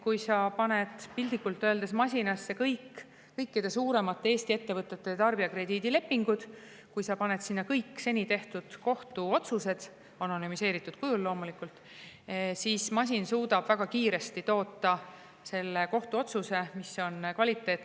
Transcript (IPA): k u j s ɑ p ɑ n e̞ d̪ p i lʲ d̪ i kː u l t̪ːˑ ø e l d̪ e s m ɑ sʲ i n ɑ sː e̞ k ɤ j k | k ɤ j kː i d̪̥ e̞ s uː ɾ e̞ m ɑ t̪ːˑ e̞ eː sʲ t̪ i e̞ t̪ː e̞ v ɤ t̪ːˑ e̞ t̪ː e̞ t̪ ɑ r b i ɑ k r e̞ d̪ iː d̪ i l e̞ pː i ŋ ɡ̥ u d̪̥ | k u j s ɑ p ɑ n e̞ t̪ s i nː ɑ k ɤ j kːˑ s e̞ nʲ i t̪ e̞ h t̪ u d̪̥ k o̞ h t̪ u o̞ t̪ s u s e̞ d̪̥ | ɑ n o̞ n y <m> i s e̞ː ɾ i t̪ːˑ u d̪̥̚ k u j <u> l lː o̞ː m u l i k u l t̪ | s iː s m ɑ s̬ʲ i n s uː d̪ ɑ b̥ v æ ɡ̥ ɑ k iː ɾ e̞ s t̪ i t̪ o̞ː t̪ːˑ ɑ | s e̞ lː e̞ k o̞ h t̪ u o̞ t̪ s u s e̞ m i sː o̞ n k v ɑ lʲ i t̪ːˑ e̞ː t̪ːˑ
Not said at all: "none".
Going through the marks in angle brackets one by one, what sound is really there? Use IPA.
m, u

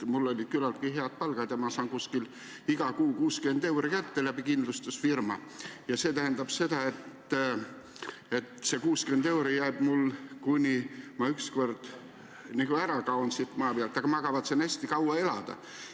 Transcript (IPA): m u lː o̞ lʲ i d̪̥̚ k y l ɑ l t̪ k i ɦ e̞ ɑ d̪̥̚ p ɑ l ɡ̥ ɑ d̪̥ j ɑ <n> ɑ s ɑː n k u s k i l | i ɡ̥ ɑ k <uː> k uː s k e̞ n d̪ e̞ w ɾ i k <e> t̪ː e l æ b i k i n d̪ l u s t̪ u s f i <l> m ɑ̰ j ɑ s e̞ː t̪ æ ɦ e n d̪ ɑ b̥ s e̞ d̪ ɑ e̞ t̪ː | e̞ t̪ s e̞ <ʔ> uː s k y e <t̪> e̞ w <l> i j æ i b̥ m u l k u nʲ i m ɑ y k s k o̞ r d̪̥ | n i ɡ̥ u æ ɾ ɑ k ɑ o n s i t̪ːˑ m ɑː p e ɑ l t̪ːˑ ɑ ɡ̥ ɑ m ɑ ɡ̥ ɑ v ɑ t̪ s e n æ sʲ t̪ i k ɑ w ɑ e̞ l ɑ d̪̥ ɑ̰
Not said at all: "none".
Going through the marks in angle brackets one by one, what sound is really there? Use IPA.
m, uː, æ, r, k, d̪, ɾ

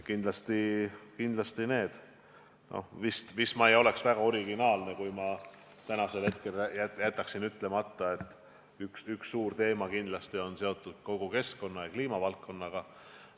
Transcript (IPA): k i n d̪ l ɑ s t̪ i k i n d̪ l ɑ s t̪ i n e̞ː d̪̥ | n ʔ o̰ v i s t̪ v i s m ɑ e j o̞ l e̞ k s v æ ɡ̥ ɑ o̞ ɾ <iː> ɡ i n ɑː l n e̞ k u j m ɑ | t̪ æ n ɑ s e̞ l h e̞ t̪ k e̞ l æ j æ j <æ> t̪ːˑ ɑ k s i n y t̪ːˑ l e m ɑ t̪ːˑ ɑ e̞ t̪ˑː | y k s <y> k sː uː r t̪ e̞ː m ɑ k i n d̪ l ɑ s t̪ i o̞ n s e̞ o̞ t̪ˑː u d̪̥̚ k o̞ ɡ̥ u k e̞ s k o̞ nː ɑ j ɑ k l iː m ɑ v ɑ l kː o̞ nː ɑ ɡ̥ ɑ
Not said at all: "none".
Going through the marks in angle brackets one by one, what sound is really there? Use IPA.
i, æ, y

